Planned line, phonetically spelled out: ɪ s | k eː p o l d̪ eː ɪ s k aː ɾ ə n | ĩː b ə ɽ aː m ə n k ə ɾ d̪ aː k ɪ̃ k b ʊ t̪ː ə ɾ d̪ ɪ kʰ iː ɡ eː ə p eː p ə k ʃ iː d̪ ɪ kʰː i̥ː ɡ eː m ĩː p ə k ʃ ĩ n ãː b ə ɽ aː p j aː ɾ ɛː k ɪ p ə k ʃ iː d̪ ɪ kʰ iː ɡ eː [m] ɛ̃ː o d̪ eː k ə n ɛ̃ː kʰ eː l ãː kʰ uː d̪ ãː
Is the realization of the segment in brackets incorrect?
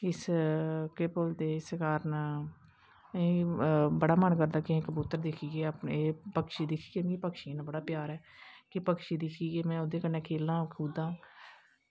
no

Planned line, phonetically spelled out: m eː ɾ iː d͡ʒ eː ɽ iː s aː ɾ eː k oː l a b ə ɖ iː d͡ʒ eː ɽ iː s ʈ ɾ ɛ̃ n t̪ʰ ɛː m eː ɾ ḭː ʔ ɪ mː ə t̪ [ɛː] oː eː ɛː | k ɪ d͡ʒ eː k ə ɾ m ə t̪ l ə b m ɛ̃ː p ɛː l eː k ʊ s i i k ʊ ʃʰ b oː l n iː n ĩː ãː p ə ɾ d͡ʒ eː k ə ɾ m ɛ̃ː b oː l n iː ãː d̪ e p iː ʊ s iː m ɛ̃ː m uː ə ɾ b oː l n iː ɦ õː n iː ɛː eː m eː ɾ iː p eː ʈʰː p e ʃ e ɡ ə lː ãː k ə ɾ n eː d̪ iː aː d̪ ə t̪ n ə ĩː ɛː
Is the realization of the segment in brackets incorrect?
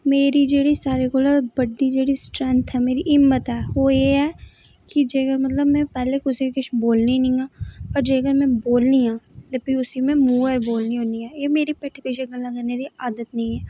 no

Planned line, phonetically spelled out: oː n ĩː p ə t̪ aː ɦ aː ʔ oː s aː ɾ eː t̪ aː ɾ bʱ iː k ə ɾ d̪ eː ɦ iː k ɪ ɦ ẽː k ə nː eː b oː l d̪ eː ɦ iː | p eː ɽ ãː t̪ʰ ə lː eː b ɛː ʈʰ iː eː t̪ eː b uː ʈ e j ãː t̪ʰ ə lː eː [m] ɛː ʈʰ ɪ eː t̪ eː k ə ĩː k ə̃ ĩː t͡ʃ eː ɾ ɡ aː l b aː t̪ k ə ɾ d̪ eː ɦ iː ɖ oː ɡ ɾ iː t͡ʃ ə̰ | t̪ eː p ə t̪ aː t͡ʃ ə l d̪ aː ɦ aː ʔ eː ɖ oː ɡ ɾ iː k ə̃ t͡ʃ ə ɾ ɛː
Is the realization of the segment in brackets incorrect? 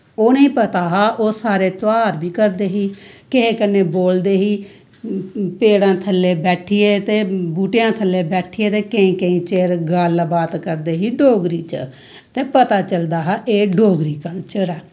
yes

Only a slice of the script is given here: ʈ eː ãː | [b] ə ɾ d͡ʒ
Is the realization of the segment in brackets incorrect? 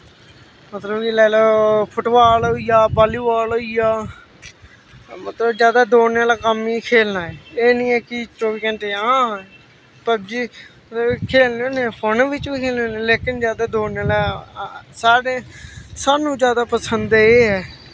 yes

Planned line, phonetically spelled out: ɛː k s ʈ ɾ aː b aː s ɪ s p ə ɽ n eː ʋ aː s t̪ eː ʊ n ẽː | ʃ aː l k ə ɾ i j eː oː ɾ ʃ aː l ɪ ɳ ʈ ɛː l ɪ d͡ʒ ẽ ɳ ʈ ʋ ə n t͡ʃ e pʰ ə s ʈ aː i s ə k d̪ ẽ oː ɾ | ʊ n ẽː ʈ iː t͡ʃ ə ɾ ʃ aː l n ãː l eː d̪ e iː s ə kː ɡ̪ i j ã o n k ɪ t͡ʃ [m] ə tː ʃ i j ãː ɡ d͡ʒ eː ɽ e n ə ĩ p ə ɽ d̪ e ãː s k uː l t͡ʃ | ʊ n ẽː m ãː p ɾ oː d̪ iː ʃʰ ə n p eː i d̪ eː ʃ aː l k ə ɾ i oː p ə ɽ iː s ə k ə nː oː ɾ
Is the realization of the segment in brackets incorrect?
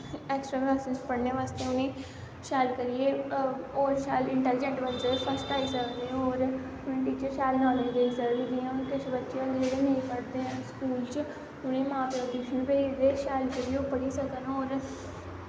yes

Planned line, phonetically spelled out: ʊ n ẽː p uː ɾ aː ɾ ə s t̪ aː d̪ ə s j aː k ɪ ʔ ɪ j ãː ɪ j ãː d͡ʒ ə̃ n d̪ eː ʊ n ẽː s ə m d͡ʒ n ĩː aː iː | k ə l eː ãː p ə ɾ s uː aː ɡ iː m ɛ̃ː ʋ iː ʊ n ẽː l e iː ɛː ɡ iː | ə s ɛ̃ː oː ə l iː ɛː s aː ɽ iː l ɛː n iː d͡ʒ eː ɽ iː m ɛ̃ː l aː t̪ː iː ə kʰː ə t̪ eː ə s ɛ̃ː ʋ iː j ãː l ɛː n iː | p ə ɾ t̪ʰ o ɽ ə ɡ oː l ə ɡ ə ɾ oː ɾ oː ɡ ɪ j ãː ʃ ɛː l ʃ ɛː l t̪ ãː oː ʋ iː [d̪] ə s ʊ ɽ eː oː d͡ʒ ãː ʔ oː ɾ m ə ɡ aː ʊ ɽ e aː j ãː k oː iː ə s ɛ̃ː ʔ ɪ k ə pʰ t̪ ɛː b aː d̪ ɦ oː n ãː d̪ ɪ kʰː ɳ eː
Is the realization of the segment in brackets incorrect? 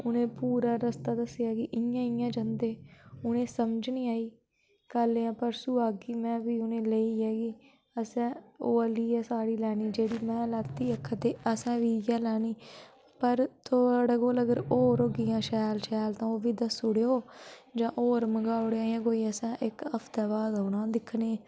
no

